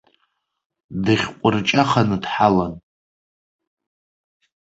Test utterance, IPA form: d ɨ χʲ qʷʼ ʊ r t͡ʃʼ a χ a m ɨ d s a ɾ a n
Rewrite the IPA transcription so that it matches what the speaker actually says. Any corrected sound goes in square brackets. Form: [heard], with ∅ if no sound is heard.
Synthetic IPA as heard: d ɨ χʲ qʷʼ ʊ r t͡ʃʼ a χ a [n] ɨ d [ħ] a [l] a n

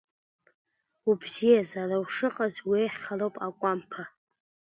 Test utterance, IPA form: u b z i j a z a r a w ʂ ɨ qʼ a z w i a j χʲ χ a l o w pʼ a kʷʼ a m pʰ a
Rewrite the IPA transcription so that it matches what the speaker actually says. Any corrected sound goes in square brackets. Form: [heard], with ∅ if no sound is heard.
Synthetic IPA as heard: u b z i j a z a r a w ʂ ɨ qʼ a z w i [e] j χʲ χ a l o w pʼ a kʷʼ a m pʰ a

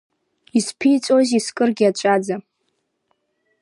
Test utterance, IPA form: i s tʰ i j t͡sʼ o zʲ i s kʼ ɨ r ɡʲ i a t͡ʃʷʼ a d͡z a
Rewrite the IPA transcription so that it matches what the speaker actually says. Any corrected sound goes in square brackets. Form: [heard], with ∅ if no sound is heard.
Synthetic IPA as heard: i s [pʰ] i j t͡sʼ o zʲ i s kʼ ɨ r ɡʲ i a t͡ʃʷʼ a d͡z a

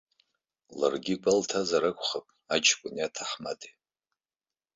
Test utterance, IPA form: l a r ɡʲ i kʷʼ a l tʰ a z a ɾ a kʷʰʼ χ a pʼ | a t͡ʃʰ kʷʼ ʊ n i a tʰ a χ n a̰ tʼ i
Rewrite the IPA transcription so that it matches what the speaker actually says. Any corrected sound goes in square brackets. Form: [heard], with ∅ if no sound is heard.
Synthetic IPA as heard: l a r ɡʲ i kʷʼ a l tʰ a z a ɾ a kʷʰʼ χ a pʼ | a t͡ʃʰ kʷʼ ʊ n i a tʰ a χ [m] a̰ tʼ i

